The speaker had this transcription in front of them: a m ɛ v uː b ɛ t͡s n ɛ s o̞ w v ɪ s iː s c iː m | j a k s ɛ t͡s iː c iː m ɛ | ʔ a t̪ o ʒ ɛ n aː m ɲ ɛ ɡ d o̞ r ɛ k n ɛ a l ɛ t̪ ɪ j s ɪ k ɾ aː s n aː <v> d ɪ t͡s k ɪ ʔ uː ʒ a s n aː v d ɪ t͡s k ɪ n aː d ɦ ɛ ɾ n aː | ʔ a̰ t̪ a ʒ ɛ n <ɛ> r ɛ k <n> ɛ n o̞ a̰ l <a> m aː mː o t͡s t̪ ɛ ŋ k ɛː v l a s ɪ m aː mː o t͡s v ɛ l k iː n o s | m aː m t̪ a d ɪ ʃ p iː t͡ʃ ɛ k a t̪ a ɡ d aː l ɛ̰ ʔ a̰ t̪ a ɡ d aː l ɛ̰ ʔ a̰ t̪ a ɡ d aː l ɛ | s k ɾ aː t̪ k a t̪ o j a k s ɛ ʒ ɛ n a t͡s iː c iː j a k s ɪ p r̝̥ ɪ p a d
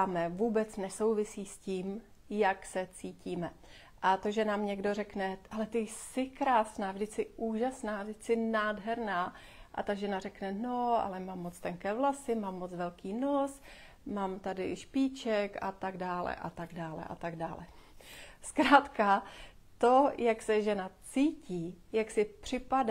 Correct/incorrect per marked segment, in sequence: correct, incorrect, correct, incorrect

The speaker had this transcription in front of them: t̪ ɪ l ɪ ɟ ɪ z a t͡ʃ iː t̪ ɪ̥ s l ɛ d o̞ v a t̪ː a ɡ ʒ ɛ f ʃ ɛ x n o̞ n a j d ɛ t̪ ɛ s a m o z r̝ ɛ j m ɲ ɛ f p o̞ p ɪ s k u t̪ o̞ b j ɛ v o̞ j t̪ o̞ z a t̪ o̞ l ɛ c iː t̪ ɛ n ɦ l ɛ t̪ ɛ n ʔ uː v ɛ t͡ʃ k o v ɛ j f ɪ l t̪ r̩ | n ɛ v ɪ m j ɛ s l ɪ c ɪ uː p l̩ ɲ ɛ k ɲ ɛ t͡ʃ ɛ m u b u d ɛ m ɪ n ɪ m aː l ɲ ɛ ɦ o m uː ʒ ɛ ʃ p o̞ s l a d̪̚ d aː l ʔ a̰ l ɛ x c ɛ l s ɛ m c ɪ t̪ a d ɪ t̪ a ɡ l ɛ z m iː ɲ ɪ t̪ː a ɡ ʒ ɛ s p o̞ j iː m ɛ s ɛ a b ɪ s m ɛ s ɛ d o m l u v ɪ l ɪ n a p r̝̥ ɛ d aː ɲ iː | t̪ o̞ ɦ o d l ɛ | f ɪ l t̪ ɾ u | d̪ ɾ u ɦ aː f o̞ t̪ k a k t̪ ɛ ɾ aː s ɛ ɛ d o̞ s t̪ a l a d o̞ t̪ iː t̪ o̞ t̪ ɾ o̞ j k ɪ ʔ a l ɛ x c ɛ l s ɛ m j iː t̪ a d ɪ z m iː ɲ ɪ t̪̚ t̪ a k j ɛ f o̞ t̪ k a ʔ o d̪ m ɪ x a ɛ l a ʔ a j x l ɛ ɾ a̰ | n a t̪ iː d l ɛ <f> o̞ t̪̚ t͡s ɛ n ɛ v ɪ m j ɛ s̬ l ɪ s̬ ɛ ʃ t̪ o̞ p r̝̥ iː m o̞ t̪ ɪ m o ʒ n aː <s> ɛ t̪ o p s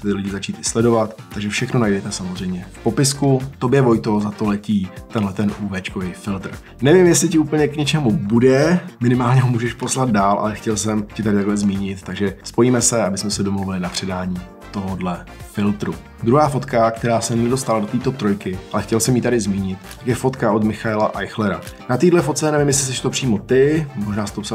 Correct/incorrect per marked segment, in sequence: correct, correct

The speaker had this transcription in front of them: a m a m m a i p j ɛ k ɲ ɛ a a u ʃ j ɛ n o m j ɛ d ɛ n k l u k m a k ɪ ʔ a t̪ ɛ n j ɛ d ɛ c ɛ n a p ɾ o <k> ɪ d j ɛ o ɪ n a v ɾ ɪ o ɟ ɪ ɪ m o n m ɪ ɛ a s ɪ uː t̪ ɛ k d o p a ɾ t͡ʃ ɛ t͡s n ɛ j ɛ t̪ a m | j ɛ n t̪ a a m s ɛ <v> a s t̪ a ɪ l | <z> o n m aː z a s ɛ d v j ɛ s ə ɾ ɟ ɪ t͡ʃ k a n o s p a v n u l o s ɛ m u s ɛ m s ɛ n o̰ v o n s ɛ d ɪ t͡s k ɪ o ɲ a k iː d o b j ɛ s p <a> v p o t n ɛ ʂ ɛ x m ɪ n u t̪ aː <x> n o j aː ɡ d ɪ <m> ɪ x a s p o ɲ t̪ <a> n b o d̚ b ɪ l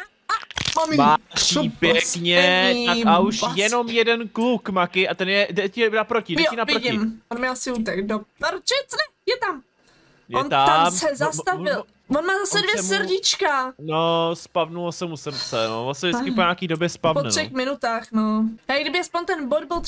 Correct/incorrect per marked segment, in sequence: incorrect, incorrect, incorrect, correct, correct, incorrect, incorrect

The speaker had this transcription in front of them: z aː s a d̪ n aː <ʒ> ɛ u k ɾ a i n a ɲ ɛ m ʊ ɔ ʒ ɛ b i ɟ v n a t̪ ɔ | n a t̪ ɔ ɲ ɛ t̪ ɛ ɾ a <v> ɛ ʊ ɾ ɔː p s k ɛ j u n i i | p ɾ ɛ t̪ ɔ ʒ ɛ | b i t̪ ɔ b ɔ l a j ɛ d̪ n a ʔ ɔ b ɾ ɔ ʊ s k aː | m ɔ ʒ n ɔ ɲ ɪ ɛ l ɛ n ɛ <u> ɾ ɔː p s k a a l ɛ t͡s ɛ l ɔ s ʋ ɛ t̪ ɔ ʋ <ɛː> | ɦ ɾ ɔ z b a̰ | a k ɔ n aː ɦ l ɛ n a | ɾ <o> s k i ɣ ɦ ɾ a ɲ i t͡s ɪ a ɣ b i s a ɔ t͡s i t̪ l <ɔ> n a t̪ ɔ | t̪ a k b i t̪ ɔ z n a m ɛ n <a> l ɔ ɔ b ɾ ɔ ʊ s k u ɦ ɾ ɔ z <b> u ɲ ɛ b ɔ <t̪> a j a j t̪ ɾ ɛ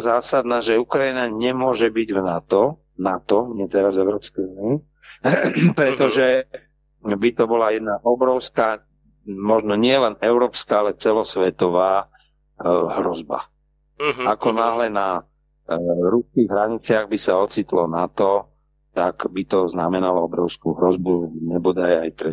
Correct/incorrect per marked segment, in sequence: correct, incorrect, incorrect, incorrect, incorrect, correct, correct, correct, incorrect

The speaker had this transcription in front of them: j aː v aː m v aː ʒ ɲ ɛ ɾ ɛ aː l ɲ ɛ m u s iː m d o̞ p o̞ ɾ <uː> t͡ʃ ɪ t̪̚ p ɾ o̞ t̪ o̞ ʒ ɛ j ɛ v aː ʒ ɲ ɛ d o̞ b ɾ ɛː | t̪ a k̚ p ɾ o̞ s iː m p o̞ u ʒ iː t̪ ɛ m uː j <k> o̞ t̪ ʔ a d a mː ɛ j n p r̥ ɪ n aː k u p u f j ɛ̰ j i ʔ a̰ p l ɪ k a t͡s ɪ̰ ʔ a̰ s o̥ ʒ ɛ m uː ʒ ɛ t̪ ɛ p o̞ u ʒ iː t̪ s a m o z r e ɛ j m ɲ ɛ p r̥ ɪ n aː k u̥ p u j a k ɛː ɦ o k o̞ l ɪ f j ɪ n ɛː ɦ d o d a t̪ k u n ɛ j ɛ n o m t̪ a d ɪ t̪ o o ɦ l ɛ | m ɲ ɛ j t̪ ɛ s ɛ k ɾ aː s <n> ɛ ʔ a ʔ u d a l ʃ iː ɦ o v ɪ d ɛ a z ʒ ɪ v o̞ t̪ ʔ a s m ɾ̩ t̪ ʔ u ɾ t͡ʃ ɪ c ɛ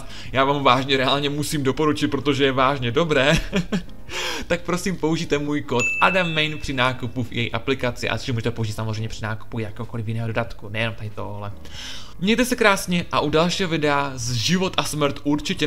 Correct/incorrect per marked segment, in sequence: incorrect, correct, incorrect

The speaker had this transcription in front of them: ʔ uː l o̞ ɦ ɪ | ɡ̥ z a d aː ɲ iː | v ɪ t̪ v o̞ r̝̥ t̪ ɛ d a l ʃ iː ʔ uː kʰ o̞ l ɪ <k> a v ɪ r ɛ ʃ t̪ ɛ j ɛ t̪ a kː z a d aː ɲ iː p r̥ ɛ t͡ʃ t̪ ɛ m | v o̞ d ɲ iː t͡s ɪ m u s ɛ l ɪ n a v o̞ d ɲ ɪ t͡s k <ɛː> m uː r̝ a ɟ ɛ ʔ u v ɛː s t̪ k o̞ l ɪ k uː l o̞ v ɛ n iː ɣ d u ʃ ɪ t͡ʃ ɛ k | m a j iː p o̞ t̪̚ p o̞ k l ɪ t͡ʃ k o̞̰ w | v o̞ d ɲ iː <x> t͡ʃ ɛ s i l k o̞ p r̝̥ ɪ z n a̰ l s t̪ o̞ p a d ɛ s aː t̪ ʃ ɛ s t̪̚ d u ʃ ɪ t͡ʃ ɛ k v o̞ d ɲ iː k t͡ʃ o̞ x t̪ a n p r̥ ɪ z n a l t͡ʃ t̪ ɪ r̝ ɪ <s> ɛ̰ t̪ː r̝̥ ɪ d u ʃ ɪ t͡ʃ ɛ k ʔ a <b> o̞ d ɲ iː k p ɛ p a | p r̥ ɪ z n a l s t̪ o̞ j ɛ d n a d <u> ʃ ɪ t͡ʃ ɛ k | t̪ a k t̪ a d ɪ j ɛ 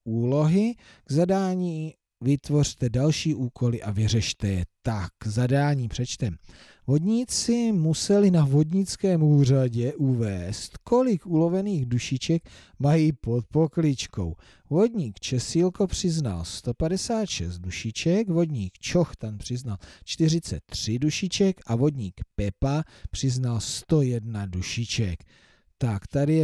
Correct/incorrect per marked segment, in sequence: incorrect, correct, incorrect, incorrect, incorrect, correct

